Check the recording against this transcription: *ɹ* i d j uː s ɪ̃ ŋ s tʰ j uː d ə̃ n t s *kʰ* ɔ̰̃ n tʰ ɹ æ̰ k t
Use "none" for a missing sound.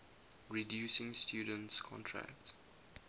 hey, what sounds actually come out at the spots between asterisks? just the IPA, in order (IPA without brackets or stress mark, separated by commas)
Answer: ɹ, kʰ